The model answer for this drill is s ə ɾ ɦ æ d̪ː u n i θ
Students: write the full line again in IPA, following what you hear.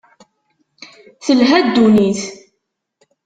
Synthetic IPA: θ ə l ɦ æ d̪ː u n i θ